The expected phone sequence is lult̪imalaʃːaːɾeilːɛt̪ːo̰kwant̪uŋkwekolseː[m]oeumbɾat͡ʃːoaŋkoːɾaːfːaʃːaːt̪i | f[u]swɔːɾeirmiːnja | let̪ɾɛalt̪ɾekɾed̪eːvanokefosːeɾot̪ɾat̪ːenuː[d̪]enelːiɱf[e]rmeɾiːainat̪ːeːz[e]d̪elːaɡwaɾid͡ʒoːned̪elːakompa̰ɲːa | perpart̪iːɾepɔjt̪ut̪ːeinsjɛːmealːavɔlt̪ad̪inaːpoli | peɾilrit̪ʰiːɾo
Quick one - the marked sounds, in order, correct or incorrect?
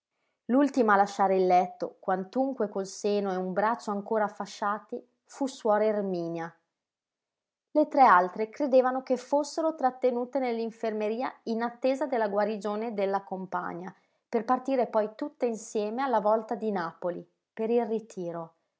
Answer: incorrect, correct, incorrect, correct, incorrect

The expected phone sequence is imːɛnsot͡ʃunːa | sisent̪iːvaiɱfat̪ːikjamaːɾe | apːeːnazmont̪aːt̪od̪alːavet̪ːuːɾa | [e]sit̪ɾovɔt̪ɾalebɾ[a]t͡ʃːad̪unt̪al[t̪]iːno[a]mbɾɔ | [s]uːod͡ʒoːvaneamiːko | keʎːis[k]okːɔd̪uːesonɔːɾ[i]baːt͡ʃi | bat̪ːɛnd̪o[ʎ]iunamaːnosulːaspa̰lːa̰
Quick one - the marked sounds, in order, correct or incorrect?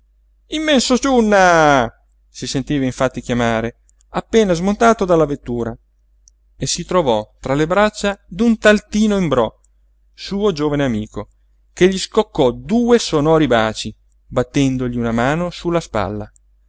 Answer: correct, correct, correct, incorrect, correct, correct, correct, correct

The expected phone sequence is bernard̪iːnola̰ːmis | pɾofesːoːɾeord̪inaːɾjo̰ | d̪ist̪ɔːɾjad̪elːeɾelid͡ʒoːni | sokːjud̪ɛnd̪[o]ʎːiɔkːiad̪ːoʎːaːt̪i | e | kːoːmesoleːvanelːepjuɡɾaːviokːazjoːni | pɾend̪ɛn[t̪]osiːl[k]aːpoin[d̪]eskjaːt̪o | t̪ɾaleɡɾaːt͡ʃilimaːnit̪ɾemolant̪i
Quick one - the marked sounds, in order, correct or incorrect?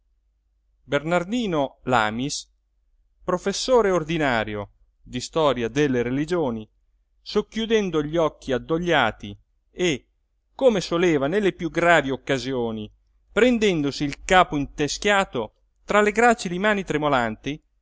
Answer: correct, incorrect, correct, incorrect

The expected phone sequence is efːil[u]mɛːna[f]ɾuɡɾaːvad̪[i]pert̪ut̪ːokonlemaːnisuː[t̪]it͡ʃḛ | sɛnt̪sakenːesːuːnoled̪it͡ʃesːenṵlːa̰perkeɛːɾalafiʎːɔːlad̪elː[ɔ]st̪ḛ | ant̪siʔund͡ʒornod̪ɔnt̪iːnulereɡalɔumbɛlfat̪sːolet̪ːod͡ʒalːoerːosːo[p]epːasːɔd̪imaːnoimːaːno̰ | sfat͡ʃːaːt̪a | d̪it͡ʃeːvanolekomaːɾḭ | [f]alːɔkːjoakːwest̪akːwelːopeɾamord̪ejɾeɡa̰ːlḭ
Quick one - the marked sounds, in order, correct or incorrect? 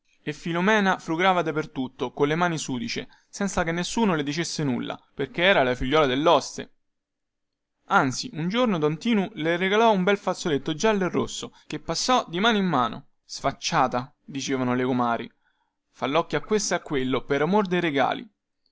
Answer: incorrect, correct, incorrect, incorrect, correct, incorrect, correct

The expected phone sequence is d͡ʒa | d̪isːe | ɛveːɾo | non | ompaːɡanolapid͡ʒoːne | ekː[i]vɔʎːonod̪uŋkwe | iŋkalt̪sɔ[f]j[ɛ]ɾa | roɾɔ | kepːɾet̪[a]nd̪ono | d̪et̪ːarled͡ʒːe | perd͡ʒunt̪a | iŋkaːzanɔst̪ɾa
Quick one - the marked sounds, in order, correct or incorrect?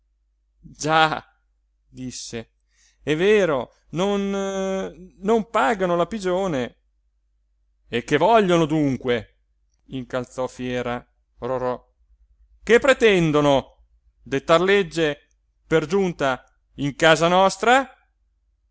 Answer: incorrect, correct, incorrect, incorrect

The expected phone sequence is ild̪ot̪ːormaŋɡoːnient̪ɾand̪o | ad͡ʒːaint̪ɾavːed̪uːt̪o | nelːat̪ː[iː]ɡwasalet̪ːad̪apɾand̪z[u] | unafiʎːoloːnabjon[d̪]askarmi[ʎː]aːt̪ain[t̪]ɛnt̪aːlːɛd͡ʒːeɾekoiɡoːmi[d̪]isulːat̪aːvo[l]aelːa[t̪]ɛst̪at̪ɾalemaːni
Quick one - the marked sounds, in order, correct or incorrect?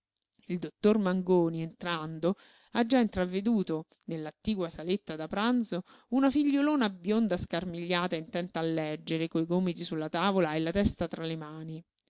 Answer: correct, incorrect, correct, correct, correct, incorrect, correct, correct

